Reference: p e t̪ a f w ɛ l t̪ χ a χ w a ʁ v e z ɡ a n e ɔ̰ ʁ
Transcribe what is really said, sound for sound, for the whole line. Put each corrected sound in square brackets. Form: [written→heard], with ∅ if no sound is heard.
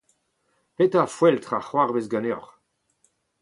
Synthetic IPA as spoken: p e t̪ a f w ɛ l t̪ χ a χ w a ʁ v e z ɡ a n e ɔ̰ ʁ